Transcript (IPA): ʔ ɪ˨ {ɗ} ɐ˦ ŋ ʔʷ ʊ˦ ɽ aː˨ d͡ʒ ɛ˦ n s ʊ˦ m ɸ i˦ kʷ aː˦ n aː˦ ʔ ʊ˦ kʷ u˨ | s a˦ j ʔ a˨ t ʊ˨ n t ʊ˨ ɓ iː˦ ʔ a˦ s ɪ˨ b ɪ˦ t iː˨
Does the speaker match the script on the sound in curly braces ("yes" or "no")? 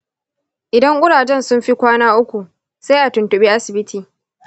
no